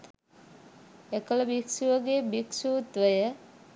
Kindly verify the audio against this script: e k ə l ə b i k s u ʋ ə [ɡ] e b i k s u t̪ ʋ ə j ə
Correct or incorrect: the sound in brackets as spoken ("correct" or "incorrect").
correct